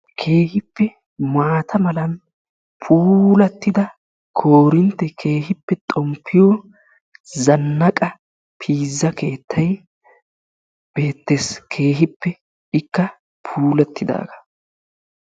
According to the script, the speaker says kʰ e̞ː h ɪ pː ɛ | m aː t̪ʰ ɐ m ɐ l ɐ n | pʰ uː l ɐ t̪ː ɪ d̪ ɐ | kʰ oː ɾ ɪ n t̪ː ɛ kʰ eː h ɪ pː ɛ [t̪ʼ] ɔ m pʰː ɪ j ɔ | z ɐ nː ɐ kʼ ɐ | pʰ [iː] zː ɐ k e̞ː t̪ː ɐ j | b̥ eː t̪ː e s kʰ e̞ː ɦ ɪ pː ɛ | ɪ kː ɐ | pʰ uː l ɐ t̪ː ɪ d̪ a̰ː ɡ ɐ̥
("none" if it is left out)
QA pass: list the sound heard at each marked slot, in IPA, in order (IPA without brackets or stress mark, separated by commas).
t̪ʼ, iː